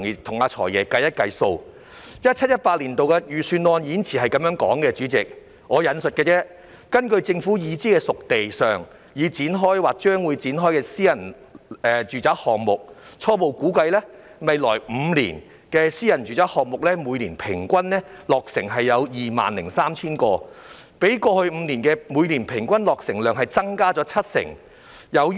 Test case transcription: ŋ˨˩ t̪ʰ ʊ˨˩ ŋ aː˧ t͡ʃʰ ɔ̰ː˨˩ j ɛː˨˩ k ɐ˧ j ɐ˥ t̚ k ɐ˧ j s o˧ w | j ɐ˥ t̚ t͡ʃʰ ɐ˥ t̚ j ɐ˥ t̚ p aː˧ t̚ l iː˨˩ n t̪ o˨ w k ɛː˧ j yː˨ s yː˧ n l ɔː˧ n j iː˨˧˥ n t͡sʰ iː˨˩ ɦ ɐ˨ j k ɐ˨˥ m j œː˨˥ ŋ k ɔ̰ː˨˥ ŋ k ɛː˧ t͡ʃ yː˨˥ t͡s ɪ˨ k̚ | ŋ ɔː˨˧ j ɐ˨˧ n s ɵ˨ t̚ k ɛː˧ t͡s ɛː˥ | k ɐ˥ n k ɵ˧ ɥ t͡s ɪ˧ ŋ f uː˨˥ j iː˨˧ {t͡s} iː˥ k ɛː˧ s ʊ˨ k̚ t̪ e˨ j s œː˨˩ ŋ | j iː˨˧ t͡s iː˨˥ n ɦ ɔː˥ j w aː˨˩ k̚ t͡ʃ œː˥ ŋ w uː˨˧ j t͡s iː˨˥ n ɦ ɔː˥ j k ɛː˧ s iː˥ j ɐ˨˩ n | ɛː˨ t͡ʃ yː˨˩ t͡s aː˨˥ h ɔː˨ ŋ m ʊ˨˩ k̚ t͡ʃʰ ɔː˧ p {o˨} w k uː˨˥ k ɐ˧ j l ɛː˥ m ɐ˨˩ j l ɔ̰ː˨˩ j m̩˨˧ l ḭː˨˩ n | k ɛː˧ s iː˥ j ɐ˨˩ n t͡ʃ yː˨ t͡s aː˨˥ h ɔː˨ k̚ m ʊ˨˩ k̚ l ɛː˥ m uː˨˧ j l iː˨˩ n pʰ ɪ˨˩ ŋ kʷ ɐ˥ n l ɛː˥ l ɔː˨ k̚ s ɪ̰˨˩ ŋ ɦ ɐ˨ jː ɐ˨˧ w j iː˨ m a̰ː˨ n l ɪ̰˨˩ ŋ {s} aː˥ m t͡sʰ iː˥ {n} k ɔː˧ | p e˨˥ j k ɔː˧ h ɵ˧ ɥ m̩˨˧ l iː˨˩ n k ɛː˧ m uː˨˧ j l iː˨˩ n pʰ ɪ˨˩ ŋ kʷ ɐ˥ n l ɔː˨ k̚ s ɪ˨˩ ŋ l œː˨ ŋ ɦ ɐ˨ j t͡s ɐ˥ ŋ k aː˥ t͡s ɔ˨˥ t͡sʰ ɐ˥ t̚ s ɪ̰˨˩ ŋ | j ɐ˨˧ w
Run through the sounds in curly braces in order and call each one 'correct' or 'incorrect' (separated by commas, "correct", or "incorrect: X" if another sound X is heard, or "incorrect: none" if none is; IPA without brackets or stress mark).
correct, correct, correct, correct